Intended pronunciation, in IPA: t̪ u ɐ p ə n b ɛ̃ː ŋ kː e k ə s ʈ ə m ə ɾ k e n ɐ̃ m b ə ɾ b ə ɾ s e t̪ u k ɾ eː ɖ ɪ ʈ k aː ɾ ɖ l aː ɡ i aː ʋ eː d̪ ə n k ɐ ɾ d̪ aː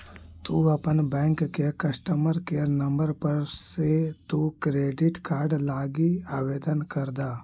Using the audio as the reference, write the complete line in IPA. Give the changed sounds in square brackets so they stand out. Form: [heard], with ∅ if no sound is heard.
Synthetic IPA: t̪ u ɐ p ə n b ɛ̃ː ŋ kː e k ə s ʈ ə m ə ɾ k e n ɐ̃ m b ə ɾ [p] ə ɾ s e t̪ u k ɾ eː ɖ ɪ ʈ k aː ɾ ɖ l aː ɡ i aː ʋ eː d̪ ə n k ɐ ɾ d̪ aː